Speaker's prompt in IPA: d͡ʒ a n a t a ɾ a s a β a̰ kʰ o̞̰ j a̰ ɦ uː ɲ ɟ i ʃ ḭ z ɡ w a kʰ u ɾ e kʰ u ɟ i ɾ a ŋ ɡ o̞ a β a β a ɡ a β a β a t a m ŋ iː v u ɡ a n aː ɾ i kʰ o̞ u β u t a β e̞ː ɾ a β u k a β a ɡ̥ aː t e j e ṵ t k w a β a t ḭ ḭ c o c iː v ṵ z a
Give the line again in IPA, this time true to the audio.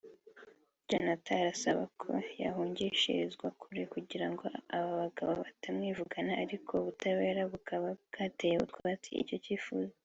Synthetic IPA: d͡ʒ a n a t a ɾ a s a β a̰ kʰ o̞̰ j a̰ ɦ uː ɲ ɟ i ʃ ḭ z ɡ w a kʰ u ɾ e k u ɟ i ɾ a ŋ ɡ o̞ a β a β a ɡ a β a β a t a m ŋ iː v u ɡ a n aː ɾ i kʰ o̞ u β u t a β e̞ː ɾ a β u k a β a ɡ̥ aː t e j e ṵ t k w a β a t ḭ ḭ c o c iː f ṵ z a

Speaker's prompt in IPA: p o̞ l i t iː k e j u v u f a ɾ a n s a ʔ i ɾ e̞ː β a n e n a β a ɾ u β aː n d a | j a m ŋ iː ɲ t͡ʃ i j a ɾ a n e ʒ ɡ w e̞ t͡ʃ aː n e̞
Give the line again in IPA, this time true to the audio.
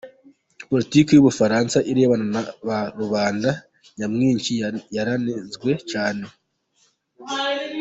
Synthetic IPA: p o̞ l i t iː k e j u β u f a ɾ a n s a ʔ i ɾ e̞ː β a n a n a β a ɾ u β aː n d a | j a m ŋ iː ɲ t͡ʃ i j a ɾ a n e z ɡ w e̞ t͡ʃ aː n e̞

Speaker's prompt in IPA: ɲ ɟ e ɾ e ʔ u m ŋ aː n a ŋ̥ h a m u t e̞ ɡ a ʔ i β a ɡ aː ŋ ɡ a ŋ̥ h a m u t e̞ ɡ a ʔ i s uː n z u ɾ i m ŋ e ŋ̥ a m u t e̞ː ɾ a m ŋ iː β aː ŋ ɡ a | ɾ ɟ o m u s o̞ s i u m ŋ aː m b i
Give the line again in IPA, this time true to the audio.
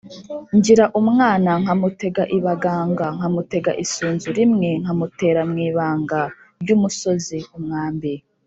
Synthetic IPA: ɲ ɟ i ɾ a ʔ u m ŋ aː n a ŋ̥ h a m u t e̞ ɡ a ʔ i β a ɡ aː ŋ ɡ a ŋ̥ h a m u t e̞ ɡ a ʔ i s uː n z u ɾ i m ŋ e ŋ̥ a m u t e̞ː ɾ a m ŋ iː β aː ŋ ɡ a | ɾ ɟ u m u s o̞ z i u m ŋ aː m b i

